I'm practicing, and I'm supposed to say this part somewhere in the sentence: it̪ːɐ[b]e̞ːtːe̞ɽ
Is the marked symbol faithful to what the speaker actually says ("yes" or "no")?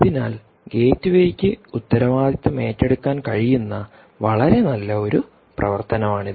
no